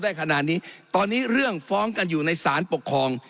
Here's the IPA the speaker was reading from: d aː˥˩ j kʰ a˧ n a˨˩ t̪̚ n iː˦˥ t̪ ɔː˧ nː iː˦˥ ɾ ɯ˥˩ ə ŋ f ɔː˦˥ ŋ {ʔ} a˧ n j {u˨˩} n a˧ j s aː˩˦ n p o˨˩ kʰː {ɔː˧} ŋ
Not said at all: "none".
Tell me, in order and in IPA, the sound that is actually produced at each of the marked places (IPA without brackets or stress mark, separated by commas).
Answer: k, uː˨˩, ɔː˧